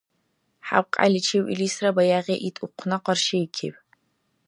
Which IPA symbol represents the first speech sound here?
ħ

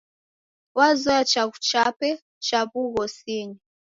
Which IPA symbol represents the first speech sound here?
w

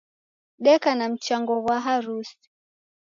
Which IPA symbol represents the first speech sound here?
ɗ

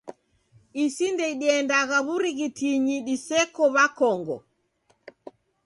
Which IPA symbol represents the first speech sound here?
i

